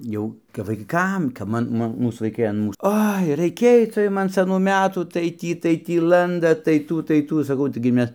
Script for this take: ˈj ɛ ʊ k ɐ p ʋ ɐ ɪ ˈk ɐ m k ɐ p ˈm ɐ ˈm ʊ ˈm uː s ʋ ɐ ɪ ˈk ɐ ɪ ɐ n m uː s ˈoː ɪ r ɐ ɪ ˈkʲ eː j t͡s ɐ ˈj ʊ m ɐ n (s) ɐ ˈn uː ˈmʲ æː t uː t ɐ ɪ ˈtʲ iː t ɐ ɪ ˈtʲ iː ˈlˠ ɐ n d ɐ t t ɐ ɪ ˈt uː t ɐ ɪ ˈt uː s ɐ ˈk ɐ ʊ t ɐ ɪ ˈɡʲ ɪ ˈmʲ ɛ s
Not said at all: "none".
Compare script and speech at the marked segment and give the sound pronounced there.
s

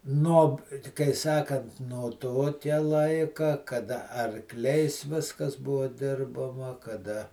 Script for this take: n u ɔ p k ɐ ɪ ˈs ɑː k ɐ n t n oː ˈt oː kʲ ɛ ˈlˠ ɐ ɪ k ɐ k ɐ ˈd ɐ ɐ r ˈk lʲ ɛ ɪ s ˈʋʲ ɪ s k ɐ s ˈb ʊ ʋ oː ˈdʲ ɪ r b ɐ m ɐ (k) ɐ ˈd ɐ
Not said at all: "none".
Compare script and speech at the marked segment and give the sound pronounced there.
k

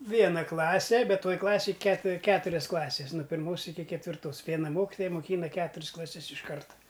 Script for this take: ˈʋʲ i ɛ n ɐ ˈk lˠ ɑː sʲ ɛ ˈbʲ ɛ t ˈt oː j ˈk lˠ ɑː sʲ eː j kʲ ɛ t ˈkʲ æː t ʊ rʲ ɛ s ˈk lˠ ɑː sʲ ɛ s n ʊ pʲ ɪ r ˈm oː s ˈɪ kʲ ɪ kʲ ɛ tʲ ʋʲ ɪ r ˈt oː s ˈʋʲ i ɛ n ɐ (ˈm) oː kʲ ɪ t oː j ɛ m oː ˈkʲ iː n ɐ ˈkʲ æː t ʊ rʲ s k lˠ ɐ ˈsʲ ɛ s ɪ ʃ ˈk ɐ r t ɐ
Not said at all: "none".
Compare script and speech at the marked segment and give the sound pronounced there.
m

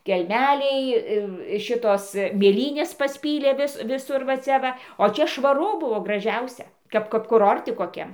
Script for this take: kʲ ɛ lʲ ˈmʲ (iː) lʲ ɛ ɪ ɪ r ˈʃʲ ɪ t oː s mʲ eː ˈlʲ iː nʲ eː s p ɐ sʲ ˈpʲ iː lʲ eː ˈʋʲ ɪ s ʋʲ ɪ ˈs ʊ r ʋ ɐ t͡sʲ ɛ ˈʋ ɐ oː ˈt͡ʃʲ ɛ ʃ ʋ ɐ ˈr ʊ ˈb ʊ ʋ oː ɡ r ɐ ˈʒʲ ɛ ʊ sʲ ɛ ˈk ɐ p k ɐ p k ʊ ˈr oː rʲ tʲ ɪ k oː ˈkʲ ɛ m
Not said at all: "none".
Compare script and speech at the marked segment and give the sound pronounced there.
æː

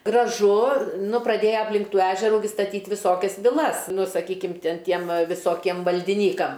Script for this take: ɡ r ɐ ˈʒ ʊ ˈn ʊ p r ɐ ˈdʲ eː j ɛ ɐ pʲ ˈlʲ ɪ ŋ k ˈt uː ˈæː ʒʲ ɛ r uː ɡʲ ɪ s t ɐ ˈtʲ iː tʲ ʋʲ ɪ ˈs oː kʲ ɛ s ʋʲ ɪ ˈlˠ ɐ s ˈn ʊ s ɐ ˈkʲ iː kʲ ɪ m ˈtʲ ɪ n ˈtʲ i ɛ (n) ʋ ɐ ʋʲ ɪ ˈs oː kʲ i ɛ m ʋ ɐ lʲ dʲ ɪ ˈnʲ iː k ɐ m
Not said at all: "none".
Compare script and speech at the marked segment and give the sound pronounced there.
m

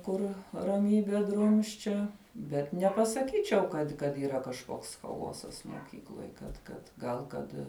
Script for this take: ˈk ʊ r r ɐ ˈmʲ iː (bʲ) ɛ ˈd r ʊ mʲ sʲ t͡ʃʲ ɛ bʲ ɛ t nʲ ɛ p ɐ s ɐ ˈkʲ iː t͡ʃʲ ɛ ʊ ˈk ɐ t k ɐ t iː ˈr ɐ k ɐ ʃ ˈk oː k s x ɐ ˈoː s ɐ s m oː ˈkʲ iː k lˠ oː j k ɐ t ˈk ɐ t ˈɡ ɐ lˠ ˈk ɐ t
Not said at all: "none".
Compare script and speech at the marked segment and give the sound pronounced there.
bʲ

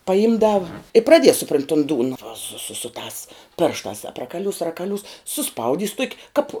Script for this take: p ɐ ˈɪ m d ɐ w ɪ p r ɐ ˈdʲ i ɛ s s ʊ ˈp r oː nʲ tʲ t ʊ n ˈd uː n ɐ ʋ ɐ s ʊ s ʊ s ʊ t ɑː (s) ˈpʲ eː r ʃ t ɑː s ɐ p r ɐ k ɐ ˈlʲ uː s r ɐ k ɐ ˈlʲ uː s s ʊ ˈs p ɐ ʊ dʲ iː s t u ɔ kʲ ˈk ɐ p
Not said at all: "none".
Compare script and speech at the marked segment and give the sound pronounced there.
s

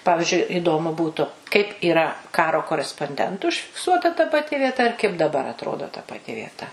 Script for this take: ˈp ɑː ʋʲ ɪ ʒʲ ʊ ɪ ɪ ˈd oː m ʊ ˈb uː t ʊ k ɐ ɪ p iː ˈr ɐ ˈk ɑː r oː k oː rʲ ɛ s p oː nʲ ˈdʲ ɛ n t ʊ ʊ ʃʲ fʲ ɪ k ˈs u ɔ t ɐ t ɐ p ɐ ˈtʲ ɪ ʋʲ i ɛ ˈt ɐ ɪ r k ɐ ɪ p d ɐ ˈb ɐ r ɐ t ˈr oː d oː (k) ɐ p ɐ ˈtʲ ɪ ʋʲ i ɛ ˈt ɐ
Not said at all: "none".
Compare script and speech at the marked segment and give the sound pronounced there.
t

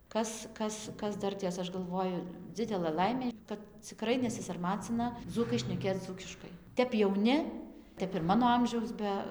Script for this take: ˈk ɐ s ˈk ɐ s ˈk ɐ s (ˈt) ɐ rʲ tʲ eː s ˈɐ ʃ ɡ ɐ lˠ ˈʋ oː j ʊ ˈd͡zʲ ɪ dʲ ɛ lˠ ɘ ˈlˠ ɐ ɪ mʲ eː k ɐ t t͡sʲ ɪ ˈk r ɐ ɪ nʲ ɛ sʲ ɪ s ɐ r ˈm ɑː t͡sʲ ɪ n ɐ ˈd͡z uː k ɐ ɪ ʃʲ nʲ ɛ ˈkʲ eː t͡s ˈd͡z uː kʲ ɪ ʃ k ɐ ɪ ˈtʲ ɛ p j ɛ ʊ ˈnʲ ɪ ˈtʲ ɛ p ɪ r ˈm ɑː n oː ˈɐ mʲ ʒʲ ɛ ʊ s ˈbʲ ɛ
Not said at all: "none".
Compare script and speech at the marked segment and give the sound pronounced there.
d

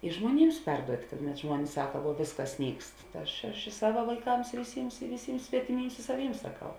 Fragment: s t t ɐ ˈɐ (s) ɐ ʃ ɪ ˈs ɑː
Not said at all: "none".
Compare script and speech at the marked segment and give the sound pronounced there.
ʃ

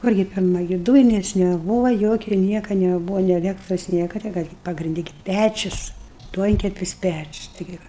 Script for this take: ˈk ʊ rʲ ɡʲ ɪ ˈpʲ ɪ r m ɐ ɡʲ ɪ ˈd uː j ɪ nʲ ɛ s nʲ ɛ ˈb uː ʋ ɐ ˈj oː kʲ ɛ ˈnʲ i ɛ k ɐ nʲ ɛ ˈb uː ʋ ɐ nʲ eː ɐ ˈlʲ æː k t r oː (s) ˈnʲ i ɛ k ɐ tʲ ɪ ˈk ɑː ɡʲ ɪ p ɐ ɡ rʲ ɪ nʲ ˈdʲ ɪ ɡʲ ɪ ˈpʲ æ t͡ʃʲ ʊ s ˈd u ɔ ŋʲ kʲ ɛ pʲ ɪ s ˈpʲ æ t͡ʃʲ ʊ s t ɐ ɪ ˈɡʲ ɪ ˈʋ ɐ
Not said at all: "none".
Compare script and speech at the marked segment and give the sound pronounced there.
s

